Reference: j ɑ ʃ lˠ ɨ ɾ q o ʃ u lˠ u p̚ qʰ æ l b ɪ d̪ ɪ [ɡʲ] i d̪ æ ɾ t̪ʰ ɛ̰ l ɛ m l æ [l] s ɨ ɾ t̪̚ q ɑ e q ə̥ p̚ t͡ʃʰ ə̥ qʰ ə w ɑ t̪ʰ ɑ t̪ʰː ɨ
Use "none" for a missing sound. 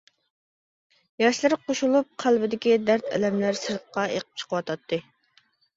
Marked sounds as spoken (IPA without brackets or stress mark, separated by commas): kʲ, ɾ